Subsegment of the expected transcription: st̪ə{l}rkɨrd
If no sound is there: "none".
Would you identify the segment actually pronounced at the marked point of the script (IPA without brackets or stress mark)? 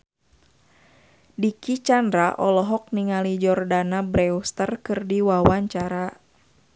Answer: none